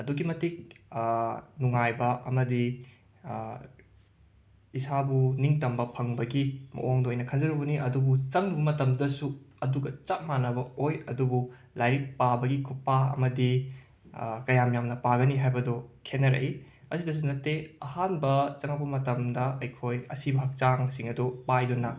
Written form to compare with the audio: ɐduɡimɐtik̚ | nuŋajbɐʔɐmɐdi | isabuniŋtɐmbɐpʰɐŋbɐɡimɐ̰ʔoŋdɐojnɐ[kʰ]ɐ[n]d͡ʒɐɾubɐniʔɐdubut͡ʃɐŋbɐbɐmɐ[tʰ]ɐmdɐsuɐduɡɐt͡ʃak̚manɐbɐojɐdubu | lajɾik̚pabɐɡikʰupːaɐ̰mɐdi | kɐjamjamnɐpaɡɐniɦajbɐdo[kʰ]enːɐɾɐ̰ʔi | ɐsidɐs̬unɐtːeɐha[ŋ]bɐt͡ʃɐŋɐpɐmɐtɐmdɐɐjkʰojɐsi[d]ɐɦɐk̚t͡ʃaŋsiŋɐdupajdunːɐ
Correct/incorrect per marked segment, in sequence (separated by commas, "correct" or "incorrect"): correct, correct, incorrect, correct, incorrect, incorrect